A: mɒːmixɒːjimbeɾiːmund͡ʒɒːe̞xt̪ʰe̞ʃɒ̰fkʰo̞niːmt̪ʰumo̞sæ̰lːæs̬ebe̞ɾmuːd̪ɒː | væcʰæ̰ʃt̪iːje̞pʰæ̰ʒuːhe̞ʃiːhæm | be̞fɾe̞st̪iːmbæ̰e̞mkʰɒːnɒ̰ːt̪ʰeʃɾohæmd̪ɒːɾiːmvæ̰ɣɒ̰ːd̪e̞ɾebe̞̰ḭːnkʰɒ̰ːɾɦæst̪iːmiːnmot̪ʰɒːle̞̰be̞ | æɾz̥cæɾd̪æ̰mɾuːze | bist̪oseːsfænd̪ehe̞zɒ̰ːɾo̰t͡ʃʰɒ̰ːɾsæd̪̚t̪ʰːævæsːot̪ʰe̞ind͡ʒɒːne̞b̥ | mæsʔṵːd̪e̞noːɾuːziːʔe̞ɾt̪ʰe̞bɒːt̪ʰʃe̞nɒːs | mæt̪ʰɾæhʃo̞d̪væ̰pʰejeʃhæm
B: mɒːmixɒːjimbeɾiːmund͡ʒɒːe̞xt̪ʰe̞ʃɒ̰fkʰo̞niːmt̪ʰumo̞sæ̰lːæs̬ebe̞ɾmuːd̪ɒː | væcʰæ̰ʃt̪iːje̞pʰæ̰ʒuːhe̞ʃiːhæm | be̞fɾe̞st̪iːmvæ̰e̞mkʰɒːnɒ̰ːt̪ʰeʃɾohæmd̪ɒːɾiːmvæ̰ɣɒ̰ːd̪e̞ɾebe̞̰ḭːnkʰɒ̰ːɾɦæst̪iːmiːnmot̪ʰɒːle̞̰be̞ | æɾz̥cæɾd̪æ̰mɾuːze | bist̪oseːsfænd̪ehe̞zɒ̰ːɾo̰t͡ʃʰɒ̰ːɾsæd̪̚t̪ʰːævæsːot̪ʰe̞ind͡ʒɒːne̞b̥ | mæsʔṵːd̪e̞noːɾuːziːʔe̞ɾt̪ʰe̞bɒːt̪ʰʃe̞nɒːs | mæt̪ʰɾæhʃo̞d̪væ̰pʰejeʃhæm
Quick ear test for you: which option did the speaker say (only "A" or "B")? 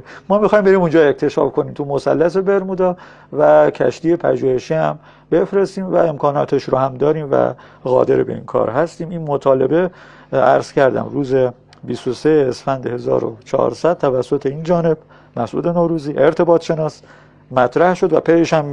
B